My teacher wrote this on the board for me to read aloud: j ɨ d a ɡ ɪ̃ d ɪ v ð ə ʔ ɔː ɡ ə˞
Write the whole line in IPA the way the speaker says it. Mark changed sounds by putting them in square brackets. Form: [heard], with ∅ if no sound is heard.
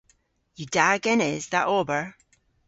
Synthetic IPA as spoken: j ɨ d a ɡ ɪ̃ [n] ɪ [z] ð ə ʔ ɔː [b] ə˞